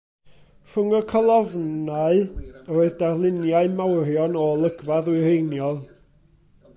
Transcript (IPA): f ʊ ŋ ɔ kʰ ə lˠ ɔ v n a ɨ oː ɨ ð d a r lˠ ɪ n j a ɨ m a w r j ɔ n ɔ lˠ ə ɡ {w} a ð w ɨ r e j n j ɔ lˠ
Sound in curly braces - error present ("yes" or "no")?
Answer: yes